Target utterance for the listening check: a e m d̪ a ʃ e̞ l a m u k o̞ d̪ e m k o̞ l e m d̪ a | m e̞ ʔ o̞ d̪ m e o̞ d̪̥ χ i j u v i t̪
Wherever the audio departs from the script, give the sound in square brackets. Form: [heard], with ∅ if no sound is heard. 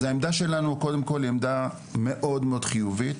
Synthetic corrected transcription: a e m d̪ a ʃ e̞ l a [n] u k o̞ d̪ e m k o̞ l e m d̪ a | m e̞ ʔ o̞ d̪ m e o̞ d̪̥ χ i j u v i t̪